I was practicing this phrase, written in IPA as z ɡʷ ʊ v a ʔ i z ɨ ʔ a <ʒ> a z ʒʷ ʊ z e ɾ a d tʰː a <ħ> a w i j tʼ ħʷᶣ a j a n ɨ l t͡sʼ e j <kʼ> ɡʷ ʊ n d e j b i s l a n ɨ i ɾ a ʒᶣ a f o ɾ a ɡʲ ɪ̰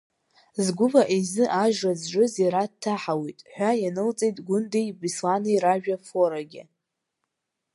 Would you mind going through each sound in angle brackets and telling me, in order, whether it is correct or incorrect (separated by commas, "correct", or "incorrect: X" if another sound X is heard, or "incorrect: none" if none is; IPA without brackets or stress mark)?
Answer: correct, correct, incorrect: tʼ